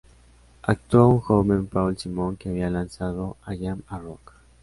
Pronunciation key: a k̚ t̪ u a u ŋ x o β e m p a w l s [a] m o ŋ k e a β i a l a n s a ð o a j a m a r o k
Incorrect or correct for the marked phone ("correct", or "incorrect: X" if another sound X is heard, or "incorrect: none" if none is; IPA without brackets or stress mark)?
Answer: incorrect: i